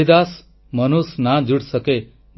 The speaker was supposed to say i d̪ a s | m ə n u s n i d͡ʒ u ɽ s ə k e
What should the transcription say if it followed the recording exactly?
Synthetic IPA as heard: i d̪ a s | m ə n u s n a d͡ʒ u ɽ s ə k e

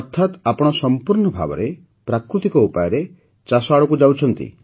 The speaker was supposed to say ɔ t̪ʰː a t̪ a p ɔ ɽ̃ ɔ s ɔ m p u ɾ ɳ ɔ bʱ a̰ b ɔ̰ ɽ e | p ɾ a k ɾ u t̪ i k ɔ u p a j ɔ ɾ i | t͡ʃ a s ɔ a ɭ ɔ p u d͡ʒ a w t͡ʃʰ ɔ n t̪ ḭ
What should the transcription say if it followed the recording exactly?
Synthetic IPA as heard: ɔ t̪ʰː a t̪ a p ɔ ɽ̃ ɔ s ɔ m p u ɾ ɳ ɔ bʱ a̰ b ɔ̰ ɾ e | p ɾ a k ɾ u t̪ i k ɔ u p a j ɔ ɾ e | t͡ʃ a s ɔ a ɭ ɔ k u d͡ʒ a w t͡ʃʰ ɔ n t̪ ḭ

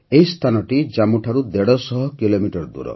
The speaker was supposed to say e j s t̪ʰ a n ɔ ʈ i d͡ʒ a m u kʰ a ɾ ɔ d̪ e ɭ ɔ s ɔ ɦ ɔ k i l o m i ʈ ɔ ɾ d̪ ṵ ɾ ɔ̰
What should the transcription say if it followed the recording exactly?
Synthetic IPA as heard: e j s t̪ʰ a n ɔ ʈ i d͡ʒ a m u ʈʰ a ɾ u d̪ e ɽ ɔ s ɔ ɦ ɔ k i l o m i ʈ ɔ ɾ d̪ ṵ ɾ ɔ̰

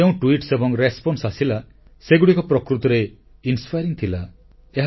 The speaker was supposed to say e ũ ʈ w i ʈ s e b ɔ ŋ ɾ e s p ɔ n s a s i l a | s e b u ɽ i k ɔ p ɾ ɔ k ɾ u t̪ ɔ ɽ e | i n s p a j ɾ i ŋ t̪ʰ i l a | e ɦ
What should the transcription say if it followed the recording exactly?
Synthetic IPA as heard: e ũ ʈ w i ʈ s e b ɔ ŋ ɾ e s p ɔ n s a s i l a | s e ɡ u ɽ i k ɔ p ɾ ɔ k ɾ u t̪ ɔ ɾ e | i n s p a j ɾ i ŋ t̪ʰ i l a | e ɦ

